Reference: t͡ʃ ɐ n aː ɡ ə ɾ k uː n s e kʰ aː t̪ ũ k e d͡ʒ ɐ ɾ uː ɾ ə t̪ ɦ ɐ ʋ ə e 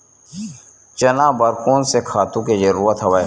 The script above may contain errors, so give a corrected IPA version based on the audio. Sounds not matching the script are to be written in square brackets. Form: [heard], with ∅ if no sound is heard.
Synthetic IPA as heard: t͡ʃ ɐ n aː [b] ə ɾ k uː n s e kʰ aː t̪ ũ k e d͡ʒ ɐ ɾ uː ɾ ə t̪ ɦ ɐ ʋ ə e